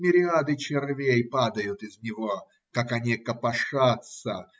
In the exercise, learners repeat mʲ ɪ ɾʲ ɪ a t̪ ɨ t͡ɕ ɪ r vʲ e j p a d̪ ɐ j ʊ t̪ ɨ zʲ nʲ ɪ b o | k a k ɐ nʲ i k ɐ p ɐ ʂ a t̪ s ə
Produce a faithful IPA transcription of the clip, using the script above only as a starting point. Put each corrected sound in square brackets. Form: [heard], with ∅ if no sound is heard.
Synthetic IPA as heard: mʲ ɪ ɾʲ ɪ a [d̪] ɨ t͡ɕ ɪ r vʲ e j p a d̪ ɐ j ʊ t̪ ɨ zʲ nʲ ɪ [v] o | k a k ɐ nʲ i k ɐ p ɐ ʂ a t̪ s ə